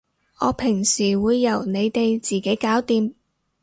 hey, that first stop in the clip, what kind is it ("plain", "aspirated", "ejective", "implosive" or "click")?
aspirated